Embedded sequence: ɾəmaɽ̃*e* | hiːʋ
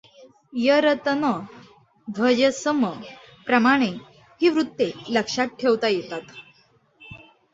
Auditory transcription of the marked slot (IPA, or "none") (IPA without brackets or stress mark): e